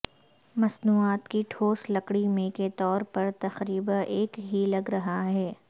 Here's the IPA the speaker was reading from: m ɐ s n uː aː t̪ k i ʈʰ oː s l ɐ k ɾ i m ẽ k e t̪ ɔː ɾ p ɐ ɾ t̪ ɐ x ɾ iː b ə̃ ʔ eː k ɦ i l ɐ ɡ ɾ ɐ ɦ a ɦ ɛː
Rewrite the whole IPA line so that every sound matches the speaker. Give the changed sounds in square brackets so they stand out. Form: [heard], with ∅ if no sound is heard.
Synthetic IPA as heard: m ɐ s n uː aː t̪ k i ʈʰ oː s l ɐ k [ɽ] i m ẽ k e t̪ ɔː ɾ p ɐ ɾ t̪ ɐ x ɾ iː b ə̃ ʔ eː k ɦ i l ɐ ɡ ɾ ɐ ɦ a ɦ ɛː

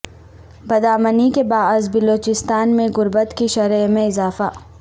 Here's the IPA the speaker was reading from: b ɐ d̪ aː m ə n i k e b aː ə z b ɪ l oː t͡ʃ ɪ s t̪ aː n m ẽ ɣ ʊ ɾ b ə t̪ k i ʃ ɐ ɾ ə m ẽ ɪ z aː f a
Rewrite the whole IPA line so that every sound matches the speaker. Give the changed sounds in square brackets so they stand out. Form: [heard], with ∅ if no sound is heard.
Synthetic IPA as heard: b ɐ d̪ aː m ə n i k e b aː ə z b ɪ l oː t͡ʃ ɪ s t̪ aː n m ẽ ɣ ʊ ɾ b ə t̪ k i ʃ ɐ ɾ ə m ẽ ɪ z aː f a

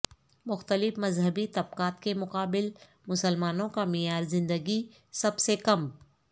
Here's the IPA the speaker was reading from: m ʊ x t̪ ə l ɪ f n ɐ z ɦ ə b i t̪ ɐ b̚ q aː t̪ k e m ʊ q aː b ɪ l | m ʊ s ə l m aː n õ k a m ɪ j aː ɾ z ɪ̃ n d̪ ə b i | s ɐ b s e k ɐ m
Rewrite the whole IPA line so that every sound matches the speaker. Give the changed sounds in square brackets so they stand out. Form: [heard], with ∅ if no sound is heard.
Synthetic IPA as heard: m ʊ x t̪ ə l ɪ f [m] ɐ z ɦ ə b i t̪ ɐ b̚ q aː t̪ k e m ʊ q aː b ɪ l | m ʊ s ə l m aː n õ k a m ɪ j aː ɾ z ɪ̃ n d̪ ə [ɡ] i | s ɐ b s e k ɐ m

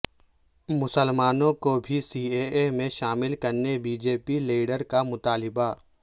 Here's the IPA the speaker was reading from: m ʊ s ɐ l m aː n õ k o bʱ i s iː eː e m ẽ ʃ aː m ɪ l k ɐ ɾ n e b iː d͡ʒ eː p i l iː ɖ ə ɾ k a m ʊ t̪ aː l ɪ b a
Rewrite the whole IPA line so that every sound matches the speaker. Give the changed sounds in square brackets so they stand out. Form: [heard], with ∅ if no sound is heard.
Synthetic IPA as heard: m ʊ s [ə] l m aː n õ k o bʱ i s iː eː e m ẽ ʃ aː m ɪ l k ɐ ɾ n e b iː d͡ʒ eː p i l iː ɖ ə ɾ k a m ʊ t̪ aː l ɪ b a

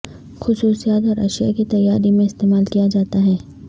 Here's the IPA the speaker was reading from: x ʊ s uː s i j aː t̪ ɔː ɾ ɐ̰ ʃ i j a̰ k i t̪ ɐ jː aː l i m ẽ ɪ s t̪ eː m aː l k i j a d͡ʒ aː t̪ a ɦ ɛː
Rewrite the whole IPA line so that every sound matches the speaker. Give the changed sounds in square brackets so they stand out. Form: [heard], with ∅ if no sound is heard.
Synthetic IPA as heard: x ʊ s uː s i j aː t̪ ɔː ɾ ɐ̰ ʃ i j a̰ k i t̪ ɐ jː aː [ɾ] i m ẽ ɪ s t̪ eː m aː l k i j a d͡ʒ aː t̪ a ɦ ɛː

